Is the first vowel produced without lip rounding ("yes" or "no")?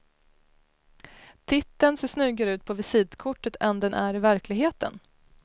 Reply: yes